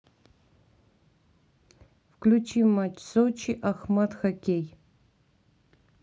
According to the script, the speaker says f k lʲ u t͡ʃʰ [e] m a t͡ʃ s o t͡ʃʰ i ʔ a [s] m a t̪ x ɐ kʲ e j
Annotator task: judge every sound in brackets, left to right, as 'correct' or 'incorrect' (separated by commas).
incorrect, incorrect